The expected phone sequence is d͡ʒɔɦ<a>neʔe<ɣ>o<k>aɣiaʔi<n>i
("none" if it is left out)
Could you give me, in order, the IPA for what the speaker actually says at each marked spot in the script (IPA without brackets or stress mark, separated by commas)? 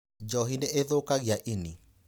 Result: i, ð, k, n